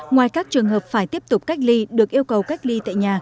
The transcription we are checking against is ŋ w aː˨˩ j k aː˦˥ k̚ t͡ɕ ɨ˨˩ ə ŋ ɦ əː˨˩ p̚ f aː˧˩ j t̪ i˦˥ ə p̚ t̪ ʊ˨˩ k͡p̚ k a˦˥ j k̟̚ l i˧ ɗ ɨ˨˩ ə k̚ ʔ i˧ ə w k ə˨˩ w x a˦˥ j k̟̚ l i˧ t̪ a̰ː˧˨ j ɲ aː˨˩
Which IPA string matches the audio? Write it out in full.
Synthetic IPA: ŋ w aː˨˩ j k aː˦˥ k̚ t͡ɕ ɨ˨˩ ə ŋ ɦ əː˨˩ p̚ f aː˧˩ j t̪ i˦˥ ə p̚ t̪ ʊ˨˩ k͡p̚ k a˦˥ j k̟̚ l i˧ ɗ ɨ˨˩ ə k̚ ʔ i˧ ə w k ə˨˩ w k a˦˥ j k̟̚ l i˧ t̪ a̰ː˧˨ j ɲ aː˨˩